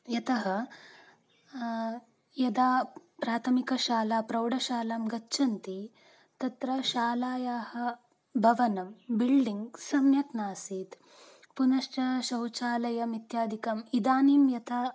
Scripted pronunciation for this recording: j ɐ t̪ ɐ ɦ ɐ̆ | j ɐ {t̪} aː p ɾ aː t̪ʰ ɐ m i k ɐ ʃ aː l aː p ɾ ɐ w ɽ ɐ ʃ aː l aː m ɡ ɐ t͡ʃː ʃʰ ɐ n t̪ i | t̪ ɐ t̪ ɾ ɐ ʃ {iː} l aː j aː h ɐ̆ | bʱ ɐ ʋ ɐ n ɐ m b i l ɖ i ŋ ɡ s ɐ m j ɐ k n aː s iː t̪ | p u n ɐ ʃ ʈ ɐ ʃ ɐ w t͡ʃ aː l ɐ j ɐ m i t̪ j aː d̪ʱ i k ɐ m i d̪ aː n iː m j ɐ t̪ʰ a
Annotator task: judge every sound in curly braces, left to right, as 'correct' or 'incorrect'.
incorrect: d̪, incorrect: aː

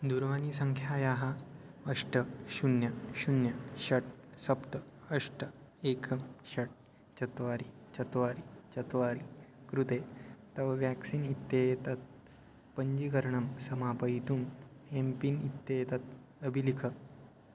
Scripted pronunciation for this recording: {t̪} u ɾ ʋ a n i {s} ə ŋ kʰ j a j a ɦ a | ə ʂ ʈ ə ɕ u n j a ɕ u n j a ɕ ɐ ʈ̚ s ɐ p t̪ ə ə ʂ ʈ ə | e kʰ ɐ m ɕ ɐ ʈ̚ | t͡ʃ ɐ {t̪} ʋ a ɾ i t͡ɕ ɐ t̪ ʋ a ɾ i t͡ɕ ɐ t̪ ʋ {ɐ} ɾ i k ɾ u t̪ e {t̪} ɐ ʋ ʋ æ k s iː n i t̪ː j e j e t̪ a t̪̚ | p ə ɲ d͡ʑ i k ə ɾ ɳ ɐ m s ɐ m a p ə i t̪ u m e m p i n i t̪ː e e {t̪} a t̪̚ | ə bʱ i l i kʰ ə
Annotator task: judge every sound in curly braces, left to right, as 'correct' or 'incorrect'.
incorrect: d̪, correct, correct, incorrect: a, correct, correct

